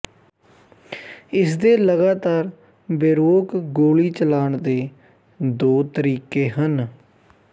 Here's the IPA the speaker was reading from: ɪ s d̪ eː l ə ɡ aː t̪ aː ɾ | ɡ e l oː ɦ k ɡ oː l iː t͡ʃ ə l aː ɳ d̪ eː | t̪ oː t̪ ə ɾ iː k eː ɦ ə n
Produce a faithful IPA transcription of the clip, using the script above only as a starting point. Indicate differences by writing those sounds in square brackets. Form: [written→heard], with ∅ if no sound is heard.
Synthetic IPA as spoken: ɪ s d̪ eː l ə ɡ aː t̪ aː ɾ | [ɡ→b] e [l→ɾ] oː [ɦ→∅] k ɡ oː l iː t͡ʃ ə l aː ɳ d̪ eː | [t̪→d̪] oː t̪ ə ɾ iː k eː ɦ ə n

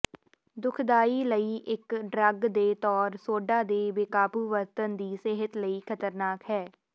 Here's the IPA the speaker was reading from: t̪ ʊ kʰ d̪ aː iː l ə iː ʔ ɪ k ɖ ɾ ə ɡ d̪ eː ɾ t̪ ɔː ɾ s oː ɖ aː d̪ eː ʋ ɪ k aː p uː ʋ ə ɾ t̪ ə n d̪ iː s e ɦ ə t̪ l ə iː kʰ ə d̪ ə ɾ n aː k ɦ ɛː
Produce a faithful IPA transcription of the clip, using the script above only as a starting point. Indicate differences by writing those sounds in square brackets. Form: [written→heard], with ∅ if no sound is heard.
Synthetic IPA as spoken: [t̪→d̪] ʊ kʰ d̪ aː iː l ə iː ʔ ɪ k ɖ ɾ ə ɡ d̪ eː [ɾ→∅] t̪ ɔː ɾ s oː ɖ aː d̪ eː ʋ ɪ k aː p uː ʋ ə ɾ t̪ ə n d̪ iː s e ɦ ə t̪ l ə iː kʰ ə [d̪→t̪] ə ɾ n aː k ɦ ɛː

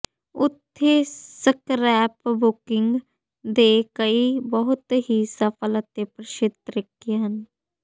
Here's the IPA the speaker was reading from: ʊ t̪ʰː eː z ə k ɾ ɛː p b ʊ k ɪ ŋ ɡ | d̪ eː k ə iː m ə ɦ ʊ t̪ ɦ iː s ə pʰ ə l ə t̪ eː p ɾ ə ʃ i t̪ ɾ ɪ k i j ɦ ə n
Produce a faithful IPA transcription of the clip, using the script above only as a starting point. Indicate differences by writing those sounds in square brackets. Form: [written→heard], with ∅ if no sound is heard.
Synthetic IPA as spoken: ʊ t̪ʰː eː [z→s] ə k ɾ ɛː p b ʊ k ɪ ŋ ɡ | d̪ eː k ə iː [m→b] ə ɦ ʊ t̪ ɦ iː s ə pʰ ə l ə t̪ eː p ɾ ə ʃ [i→ɪ] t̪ ɾ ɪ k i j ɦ ə n

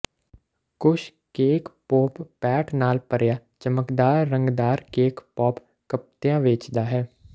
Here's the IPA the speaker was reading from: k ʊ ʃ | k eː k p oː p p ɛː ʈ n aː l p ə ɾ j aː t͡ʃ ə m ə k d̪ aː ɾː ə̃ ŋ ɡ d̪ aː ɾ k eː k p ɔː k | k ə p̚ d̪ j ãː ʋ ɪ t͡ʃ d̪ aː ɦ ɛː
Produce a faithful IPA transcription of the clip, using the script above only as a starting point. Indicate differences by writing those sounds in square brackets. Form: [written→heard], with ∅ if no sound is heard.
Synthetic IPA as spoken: k ʊ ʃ | k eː k p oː p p ɛː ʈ n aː l p ə ɾ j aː t͡ʃ ə m ə k d̪ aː ɾː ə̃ ŋ ɡ d̪ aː ɾ k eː k p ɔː [k→p] | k ə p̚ [d̪→t̪] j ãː ʋ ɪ t͡ʃ d̪ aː ɦ ɛː

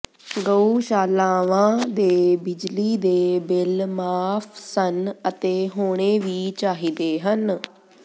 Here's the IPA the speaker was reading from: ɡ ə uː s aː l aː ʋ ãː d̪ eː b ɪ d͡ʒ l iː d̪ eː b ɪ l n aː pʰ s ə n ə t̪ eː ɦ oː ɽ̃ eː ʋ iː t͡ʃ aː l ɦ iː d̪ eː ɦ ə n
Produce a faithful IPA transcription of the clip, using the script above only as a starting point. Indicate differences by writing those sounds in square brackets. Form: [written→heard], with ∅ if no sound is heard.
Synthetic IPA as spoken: ɡ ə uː [s→ʃ] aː l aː ʋ ãː d̪ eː b ɪ d͡ʒ l iː d̪ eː b ɪ l [n→m] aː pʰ s ə n ə t̪ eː ɦ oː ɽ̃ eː ʋ iː t͡ʃ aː [l→∅] ɦ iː d̪ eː ɦ ə n

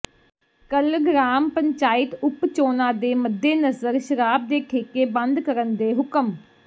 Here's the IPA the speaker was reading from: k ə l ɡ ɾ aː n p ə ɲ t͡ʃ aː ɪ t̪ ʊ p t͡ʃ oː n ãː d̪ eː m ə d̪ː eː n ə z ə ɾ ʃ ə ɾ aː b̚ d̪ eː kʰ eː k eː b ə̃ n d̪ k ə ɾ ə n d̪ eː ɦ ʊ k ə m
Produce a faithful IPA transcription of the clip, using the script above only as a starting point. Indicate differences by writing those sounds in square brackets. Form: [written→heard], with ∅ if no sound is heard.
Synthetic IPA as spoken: k ə l ɡ ɾ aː [n→m] p ə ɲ t͡ʃ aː ɪ t̪ ʊ p t͡ʃ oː n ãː d̪ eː m ə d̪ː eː n ə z ə ɾ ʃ ə ɾ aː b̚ d̪ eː kʰ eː k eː b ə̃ n d̪ k ə ɾ ə n d̪ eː ɦ ʊ k ə m

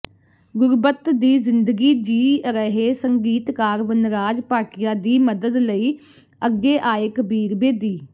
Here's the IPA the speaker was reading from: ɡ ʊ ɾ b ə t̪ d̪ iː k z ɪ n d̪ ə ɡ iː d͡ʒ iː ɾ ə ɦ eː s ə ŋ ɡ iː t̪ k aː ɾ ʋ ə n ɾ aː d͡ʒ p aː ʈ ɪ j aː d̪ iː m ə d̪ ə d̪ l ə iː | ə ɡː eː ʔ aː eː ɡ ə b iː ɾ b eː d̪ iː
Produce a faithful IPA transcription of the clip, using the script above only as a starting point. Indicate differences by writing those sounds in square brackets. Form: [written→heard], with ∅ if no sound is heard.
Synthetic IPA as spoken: ɡ ʊ ɾ b ə t̪ d̪ iː [k→∅] z ɪ n d̪ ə ɡ iː d͡ʒ iː ɾ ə ɦ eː s ə ŋ ɡ iː t̪ k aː ɾ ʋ ə n ɾ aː d͡ʒ p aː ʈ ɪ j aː d̪ iː m ə d̪ ə d̪ l ə iː | ə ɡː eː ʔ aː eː [ɡ→k] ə b iː ɾ b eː d̪ iː

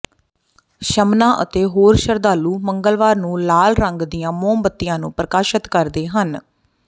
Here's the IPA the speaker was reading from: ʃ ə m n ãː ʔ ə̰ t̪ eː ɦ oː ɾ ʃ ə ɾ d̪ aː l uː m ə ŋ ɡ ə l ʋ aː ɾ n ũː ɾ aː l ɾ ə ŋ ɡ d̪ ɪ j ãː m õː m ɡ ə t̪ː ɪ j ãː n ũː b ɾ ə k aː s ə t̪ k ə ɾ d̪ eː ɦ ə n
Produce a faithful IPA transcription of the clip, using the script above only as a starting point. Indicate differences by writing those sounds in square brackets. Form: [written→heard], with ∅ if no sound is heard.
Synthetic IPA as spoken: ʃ ə m n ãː ʔ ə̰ t̪ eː ɦ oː ɾ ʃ ə ɾ d̪ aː l uː m ə ŋ ɡ ə l ʋ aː ɾ n ũː [ɾ→l] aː l ɾ ə ŋ ɡ d̪ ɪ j ãː m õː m [ɡ→b] ə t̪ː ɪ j ãː n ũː [b→p] ɾ ə k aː [s→ʃ] ə t̪ k ə ɾ d̪ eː ɦ ə n

